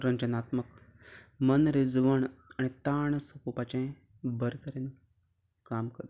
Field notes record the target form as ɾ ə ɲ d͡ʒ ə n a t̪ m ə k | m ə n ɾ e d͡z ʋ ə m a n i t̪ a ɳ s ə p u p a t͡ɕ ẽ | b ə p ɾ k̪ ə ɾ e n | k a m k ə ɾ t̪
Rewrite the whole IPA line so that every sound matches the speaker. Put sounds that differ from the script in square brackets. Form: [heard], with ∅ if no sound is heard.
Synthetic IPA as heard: ɾ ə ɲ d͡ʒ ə n a t̪ m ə k | m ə n ɾ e d͡z ʋ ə [ɳ] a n i t̪ a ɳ s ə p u p a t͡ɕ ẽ | b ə [∅] ɾ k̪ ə ɾ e n | k a m k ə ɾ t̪

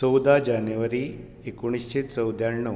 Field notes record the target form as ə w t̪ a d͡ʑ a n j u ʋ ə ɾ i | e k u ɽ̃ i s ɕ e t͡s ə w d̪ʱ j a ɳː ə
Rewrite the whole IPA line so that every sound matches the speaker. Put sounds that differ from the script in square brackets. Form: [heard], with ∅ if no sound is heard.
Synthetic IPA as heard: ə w [d̪] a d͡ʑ a n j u ʋ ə ɾ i | e k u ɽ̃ i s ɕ e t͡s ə w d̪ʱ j a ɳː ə

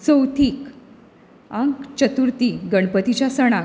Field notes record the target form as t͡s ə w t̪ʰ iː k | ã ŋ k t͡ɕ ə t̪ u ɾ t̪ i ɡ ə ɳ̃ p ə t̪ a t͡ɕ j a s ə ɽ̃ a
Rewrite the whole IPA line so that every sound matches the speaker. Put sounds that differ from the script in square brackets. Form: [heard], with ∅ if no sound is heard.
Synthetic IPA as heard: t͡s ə w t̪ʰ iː k | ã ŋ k t͡ɕ ə t̪ u ɾ t̪ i ɡ ə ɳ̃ p ə t̪ [i] t͡ɕ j a s ə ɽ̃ a

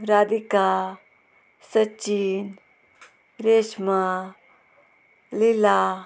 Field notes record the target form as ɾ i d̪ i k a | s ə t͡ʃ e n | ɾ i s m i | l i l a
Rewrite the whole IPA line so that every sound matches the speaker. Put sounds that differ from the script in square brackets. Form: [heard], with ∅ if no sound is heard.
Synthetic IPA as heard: ɾ [a] d̪ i k a | s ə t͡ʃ [i] n | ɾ [e] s m [a] | l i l a

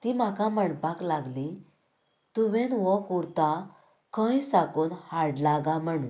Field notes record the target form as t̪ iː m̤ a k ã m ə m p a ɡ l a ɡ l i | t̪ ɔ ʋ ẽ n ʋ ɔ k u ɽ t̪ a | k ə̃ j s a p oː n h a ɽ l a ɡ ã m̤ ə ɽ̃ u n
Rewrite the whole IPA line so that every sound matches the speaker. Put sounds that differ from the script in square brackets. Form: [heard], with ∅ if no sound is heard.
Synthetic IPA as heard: t̪ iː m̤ a k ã m ə [ɳ] p a [k] l a ɡ l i | t̪ [u] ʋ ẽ n ʋ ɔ k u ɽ t̪ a | k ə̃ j s a [k] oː n h a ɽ l a ɡ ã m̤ ə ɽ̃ u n

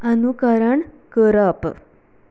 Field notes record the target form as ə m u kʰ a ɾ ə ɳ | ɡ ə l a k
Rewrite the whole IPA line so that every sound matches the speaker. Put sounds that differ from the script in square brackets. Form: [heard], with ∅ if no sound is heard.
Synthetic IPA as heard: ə [n] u [k] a ɾ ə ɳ | [k] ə [ɾ] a [p]

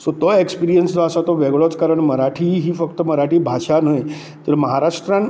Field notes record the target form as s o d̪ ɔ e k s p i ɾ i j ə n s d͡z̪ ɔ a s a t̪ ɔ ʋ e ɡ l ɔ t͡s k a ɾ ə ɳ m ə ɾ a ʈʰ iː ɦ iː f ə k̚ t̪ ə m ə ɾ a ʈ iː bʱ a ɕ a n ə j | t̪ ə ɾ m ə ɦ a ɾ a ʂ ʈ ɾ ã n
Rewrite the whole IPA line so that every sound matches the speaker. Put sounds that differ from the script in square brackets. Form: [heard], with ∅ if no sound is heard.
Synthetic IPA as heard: s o [t̪] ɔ e k s p i ɾ i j ə n s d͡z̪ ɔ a s a t̪ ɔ ʋ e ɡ [ɭ] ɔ t͡s k a ɾ ə ɳ m ə ɾ a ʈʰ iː ɦ iː f ə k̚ t̪ ə m ə ɾ a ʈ iː bʱ a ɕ a n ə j | t̪ ə ɾ m ə ɦ a ɾ a ʂ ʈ ɾ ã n

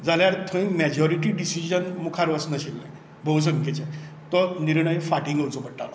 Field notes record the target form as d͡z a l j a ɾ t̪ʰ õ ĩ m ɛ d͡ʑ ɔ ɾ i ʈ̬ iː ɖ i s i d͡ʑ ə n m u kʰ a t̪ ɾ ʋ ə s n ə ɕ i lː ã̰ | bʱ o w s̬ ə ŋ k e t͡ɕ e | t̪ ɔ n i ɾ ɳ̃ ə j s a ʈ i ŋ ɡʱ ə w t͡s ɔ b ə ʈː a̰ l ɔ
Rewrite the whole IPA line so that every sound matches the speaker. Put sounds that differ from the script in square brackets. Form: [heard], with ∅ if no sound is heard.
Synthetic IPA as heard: d͡z a l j a ɾ t̪ʰ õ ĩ m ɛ d͡ʑ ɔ ɾ i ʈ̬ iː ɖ i s i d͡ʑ ə n m u kʰ a [∅] ɾ ʋ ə s n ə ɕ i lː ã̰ | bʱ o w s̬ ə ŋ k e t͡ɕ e | t̪ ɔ n i ɾ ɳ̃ ə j [f] a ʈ i ŋ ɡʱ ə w t͡s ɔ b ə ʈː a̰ l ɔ

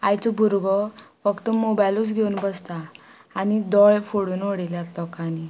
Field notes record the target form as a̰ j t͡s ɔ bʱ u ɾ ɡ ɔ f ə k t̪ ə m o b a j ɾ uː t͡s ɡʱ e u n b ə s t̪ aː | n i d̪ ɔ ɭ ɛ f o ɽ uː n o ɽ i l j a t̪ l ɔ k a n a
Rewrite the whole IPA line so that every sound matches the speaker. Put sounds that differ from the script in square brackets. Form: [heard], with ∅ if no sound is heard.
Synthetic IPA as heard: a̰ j t͡s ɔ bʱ u ɾ ɡ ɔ f ə k t̪ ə m o b a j [l] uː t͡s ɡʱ e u n b ə s t̪ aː | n i d̪ ɔ ɭ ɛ f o ɽ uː n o ɽ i l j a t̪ l ɔ k a n [i]

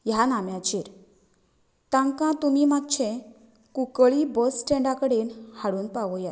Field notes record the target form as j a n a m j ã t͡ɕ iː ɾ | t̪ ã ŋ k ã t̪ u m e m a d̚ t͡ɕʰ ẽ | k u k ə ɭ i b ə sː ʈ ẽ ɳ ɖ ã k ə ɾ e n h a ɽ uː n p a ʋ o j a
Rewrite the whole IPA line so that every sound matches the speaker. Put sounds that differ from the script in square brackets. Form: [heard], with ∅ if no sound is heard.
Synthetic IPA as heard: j a n a m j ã t͡ɕ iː ɾ | t̪ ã ŋ k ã t̪ u m [i] m a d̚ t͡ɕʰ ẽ | k u k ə ɭ i b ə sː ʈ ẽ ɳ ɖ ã k ə [ɽ] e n h a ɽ uː n p a ʋ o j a

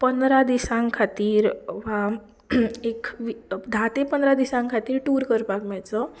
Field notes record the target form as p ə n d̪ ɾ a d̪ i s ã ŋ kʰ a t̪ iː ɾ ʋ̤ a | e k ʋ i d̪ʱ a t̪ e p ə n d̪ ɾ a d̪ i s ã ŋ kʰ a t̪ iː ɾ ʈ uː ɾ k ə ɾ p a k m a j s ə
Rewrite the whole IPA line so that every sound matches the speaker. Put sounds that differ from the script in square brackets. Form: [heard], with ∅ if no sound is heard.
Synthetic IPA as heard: p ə n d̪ ɾ a d̪ i s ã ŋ kʰ a t̪ iː ɾ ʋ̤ a | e k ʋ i d̪ʱ a t̪ e p ə n d̪ ɾ a d̪ i s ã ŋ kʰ a t̪ iː ɾ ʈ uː ɾ k ə ɾ p a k m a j [t͡s] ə

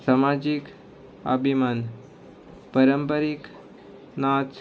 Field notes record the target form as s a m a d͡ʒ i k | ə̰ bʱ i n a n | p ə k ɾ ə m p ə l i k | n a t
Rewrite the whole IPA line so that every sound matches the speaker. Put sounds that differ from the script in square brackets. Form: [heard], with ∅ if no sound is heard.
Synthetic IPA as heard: s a m a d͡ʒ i k | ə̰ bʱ i [m] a n | p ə [∅] ɾ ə m p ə [ɾ] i k | n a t

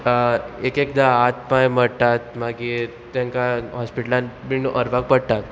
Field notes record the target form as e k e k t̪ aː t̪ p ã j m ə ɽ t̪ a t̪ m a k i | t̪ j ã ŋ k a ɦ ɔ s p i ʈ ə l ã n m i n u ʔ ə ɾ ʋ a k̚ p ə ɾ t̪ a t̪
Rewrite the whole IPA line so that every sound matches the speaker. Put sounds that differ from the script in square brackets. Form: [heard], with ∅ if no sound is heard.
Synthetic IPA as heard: e k e k [d̪] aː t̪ p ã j m ə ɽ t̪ a t̪ m a [ɡ] i | t̪ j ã ŋ k a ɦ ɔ s p i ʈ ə l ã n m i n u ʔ ə ɾ ʋ a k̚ p ə [ɽ] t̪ a t̪

